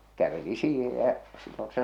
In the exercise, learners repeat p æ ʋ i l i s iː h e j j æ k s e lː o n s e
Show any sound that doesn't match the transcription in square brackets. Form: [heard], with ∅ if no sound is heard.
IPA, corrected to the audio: [k] æ ʋ [e] l i s iː h e j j æ [ʔ] s [i] lː o n s e